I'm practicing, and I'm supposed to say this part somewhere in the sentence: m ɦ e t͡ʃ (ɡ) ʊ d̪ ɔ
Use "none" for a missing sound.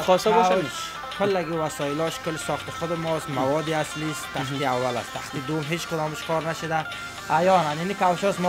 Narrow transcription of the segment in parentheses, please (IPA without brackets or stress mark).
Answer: k